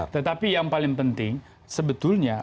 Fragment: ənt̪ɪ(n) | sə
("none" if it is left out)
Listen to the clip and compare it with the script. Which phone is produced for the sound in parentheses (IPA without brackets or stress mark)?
ŋ